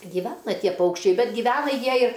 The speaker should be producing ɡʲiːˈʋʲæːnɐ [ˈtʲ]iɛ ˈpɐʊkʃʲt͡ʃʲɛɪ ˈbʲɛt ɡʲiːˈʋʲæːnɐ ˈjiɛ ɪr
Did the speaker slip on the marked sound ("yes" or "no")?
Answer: no